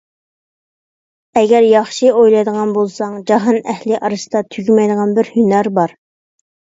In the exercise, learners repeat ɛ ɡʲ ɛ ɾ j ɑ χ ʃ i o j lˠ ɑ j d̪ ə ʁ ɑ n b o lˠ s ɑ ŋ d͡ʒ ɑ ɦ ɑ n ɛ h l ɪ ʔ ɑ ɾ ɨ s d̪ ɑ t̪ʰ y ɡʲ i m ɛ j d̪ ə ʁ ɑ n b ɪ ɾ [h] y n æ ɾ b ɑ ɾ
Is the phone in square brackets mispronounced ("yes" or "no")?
no